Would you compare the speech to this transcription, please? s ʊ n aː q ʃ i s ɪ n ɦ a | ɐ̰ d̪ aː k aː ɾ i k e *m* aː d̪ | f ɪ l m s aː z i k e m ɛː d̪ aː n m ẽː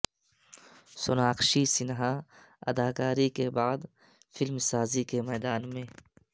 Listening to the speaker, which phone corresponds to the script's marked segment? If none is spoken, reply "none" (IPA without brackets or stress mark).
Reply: b